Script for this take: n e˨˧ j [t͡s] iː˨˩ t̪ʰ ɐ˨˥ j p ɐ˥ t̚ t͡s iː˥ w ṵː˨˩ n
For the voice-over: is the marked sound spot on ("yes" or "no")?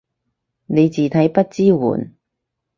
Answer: yes